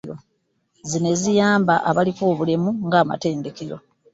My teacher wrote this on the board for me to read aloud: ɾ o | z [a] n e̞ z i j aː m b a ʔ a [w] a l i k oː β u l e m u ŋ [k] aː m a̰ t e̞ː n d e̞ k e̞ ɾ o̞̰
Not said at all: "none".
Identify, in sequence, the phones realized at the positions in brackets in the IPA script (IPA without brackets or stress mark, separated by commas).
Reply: i, β, ɡ